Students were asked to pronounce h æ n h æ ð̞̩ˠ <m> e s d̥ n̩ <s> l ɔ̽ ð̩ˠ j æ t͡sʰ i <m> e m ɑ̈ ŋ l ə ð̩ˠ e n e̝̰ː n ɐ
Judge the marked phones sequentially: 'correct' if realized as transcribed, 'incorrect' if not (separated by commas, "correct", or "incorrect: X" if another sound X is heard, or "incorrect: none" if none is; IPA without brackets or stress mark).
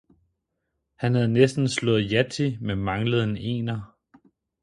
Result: incorrect: n, correct, correct